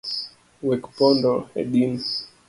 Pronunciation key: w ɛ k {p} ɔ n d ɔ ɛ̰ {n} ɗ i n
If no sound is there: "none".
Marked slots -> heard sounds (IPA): p, none

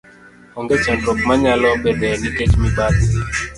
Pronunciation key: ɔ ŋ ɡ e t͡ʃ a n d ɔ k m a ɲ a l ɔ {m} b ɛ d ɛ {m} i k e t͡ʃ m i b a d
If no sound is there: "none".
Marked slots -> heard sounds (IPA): none, n

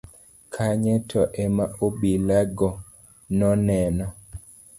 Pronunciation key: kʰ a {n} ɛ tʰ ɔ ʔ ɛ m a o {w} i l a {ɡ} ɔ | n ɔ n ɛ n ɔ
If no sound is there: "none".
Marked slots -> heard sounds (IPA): ɲ, b, ɡ

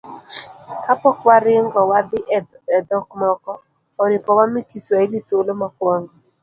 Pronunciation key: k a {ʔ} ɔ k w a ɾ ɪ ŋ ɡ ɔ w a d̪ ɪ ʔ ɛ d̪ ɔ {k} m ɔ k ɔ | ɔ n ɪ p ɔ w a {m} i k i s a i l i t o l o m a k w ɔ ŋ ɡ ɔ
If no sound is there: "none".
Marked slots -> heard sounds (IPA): p, k, m

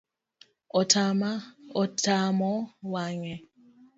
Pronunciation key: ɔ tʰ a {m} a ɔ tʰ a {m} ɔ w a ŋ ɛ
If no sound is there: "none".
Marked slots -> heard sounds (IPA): m, m

